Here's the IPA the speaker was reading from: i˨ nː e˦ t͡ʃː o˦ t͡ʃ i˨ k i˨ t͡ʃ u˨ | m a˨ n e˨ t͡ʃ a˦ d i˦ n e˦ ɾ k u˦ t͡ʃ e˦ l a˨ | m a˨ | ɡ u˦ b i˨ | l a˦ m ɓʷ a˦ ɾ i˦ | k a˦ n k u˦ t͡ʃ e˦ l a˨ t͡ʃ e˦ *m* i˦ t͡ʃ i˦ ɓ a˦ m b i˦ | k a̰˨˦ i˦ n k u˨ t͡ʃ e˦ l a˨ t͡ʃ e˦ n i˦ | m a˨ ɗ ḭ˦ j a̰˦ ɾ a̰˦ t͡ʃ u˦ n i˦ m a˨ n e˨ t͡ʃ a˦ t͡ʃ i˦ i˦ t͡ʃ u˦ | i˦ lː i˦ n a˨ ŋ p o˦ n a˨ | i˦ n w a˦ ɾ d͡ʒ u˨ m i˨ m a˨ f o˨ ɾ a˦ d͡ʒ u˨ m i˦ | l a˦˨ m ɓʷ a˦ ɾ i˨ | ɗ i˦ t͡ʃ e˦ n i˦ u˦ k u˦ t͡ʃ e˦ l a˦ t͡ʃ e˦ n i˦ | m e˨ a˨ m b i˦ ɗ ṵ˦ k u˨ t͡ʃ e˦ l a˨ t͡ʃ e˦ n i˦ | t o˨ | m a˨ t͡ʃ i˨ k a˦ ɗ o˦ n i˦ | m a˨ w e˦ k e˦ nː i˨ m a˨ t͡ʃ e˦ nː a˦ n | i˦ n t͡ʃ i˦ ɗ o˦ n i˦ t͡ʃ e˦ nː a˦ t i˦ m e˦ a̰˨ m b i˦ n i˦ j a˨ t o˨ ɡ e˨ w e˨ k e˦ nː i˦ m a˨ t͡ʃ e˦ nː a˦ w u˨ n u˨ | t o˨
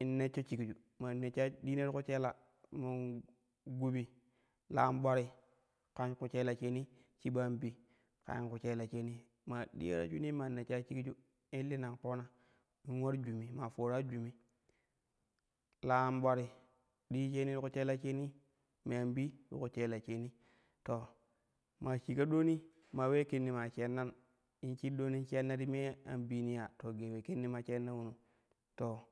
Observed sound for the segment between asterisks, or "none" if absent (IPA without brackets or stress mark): n